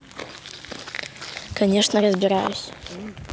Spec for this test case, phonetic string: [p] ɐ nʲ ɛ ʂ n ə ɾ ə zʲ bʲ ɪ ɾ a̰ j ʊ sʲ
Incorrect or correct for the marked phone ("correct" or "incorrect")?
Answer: incorrect